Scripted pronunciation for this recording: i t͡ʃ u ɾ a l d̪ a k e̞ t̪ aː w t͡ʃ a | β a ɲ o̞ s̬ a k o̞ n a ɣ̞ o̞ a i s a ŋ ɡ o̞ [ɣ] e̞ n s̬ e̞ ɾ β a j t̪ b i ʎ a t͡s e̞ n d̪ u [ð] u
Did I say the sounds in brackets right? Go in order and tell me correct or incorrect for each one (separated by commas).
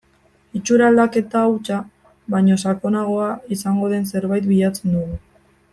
incorrect, incorrect